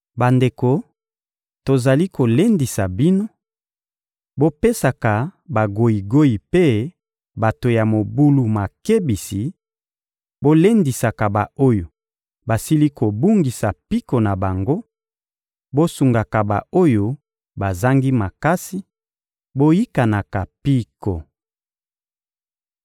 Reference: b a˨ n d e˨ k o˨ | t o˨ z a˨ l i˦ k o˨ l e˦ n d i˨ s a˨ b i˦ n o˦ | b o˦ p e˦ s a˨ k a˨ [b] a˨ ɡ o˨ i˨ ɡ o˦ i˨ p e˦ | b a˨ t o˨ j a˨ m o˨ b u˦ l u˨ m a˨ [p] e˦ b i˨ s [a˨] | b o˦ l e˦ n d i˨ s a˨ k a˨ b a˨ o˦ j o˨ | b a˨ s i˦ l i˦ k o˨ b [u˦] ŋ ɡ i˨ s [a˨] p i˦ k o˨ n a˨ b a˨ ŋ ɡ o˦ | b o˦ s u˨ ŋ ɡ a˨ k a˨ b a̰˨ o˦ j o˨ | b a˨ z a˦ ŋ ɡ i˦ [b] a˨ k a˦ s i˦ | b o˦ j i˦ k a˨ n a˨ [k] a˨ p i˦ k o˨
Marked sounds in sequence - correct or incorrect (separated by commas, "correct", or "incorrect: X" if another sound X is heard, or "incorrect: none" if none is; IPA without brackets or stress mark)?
correct, incorrect: k, incorrect: i˨, correct, correct, incorrect: m, correct